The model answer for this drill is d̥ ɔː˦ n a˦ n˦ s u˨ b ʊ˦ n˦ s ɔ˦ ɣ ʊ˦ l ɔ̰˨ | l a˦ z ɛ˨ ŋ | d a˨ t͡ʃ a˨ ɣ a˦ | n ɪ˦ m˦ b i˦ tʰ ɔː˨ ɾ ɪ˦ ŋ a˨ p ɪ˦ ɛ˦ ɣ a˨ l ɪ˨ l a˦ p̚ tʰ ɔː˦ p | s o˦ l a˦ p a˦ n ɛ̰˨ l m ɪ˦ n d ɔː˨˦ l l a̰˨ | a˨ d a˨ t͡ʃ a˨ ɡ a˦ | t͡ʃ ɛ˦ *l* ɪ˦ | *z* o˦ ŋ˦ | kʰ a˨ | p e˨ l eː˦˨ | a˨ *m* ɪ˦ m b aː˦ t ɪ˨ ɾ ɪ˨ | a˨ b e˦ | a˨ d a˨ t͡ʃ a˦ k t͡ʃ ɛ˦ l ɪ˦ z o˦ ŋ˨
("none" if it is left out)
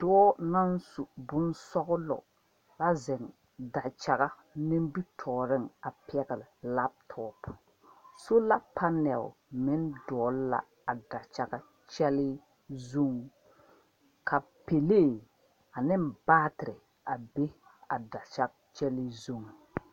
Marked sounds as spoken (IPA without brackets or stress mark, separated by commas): l, z, n